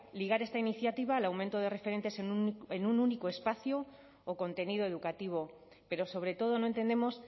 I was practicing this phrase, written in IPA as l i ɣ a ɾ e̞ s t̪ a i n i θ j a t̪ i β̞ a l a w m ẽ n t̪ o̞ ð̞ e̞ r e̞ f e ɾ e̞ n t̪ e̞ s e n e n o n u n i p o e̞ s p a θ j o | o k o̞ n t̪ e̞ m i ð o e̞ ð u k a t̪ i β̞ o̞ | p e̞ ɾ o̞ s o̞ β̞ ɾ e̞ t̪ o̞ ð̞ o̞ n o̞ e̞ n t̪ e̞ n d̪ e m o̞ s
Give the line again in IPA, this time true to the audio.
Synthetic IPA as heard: l i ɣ a ɾ e̞ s t̪ a i n i θ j a t̪ i β̞ a l a w m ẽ n t̪ o̞ ð̞ e̞ r e̞ f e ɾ e̞ n t̪ e̞ s e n e n u n u n i k o e̞ s p a θ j o | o k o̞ n t̪ e̞ n i ð o e̞ ð u k a t̪ i β̞ o̞ | p e̞ ɾ o̞ s o̞ β̞ ɾ e̞ t̪ o̞ ð̞ o̞ n o̞ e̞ n t̪ e̞ n d̪ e m o̞ s

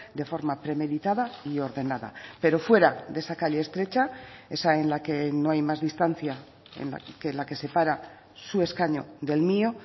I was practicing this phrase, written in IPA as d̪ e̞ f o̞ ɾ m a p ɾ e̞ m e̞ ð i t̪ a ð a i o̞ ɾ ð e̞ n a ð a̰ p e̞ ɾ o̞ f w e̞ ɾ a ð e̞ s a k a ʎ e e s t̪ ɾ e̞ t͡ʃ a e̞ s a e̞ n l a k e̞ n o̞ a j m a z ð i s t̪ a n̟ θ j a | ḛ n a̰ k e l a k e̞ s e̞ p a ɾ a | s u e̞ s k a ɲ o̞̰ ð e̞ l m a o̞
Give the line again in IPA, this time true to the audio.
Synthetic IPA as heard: d̪ e̞ f o̞ ɾ m a p ɾ e̞ m e̞ ð i t̪ a ð a i o̞ ɾ ð e̞ n a ð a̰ p e̞ ɾ o̞ f w e̞ ɾ a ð e̞ s a k a ʎ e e s t̪ ɾ e̞ t͡ʃ a e̞ s a e̞ n l a k e̞ n o̞ a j m a z ð i s t̪ a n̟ θ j a | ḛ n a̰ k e l a k e̞ s e̞ p a ɾ a | s u e̞ s k a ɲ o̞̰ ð e̞ l m i o̞

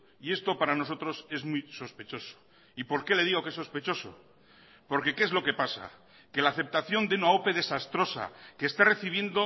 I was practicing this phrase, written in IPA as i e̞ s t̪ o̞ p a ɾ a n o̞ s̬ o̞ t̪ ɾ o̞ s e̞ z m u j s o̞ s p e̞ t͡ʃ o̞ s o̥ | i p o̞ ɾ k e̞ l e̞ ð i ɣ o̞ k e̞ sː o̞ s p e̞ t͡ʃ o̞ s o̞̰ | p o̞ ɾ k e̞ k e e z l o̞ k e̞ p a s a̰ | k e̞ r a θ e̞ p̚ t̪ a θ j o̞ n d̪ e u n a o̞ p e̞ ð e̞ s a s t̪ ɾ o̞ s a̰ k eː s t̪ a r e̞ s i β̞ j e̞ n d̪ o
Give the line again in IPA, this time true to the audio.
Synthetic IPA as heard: i e̞ s t̪ o̞ p a ɾ a n o̞ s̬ o̞ t̪ ɾ o̞ s e̞ z m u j s o̞ s p e̞ t͡ʃ o̞ s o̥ | i p o̞ ɾ k e̞ l e̞ ð i ɣ o̞ k e̞ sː o̞ s p e̞ t͡ʃ o̞ s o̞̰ | p o̞ ɾ k e̞ k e e z l o̞ k e̞ p a s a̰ | k e̞ l a θ e̞ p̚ t̪ a θ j o̞ n d̪ e u n a o̞ p e̞ ð e̞ s a s t̪ ɾ o̞ s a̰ k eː s t̪ a r e̞ θ i β̞ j e̞ n d̪ o

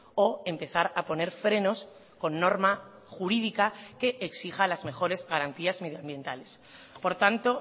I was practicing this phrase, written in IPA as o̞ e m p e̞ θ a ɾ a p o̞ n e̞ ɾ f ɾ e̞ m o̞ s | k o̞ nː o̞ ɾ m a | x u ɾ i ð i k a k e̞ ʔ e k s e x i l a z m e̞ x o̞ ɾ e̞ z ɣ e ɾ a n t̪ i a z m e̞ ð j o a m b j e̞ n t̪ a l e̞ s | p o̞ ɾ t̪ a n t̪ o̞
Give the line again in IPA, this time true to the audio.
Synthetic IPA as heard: o̞ e m p e̞ θ a ɾ a p o̞ n e̞ ɾ f ɾ e̞ n o̞ s | k o̞ nː o̞ ɾ m a | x u ɾ i ð i k a k e̞ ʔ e k s i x a l a z m e̞ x o̞ ɾ e̞ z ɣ a ɾ a n t̪ i a z m e̞ ð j o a m b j e̞ n t̪ a l e̞ s | p o̞ ɾ t̪ a n t̪ o̞

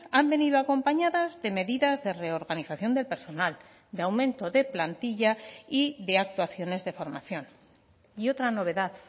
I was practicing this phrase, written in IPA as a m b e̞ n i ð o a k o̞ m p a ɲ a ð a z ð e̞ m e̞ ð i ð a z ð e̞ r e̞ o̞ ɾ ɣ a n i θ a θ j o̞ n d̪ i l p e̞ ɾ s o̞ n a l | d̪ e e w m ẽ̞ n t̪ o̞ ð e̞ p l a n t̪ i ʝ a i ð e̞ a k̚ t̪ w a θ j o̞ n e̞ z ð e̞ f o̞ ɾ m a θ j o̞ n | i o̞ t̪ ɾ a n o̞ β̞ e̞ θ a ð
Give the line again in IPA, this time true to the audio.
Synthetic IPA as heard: a m b e̞ n i ð o a k o̞ m p a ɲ a ð a z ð e̞ m e̞ ð i ð a z ð e̞ r e̞ o̞ ɾ ɣ a n i θ a θ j o̞ n d̪ e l p e̞ ɾ s o̞ n a l | d̪ e a w m ẽ̞ n t̪ o̞ ð e̞ p l a n t̪ i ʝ a i ð e̞ a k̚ t̪ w a θ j o̞ n e̞ z ð e̞ f o̞ ɾ m a θ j o̞ n | i o̞ t̪ ɾ a n o̞ β̞ e̞ ð a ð

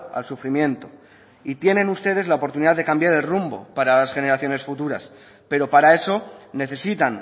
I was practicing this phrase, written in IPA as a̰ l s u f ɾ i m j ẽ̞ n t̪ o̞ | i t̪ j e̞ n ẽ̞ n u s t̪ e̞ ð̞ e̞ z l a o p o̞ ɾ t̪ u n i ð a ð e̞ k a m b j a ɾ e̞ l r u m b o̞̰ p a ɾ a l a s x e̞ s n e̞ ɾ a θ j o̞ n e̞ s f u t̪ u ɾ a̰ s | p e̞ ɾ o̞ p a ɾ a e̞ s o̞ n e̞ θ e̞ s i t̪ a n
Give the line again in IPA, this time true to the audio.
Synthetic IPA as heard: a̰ l s u f ɾ i m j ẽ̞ n t̪ o̞ | i t̪ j e̞ n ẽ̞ n u s t̪ e̞ ð̞ e̞ z l a o p o̞ ɾ t̪ u n i ð a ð e̞ k a m b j a ɾ e̞ l r u m b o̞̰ p a ɾ a l a s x e̞ n e̞ ɾ a θ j o̞ n e̞ s f u t̪ u ɾ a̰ s | p e̞ ɾ o̞ p a ɾ a e̞ s o̞ n e̞ θ e̞ s i t̪ a n

